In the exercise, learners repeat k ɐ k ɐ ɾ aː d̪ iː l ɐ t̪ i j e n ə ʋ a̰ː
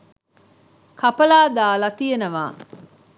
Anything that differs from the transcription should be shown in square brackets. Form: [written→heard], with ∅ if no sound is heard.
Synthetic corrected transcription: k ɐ [k→p] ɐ [ɾ→l] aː d̪ [iː→aː] l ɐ t̪ i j e n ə ʋ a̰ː